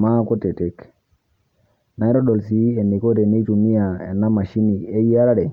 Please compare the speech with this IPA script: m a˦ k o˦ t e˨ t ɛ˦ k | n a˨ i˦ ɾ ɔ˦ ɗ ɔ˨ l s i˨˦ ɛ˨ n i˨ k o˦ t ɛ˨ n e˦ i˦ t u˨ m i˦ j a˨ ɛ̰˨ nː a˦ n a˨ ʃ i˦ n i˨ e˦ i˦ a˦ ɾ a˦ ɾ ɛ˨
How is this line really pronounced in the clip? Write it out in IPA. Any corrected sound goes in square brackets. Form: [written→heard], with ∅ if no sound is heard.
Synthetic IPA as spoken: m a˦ k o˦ t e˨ t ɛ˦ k | n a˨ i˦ ɾ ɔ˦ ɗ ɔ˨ l s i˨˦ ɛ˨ n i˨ k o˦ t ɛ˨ n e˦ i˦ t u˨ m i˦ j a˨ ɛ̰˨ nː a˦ [n→m] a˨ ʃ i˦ n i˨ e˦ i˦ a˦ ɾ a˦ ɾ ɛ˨